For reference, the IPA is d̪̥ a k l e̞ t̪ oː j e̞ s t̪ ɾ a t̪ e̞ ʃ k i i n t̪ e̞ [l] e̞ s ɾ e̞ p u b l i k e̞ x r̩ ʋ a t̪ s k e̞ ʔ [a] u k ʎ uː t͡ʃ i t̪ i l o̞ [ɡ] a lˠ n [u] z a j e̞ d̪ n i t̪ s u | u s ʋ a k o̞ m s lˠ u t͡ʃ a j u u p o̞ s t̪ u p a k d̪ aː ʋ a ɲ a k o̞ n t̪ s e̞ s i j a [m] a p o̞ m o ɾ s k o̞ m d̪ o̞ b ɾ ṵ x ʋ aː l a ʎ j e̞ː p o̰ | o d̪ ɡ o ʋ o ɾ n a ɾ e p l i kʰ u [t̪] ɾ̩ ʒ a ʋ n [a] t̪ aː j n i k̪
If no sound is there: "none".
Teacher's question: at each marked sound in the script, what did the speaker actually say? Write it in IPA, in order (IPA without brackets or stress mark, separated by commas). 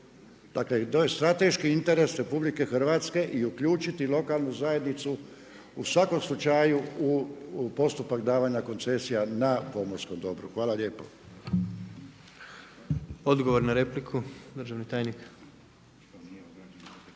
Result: ɾ, i, k, u, n, d̪, i